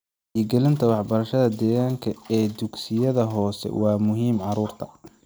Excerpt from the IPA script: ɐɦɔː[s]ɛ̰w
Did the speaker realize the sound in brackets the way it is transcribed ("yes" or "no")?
yes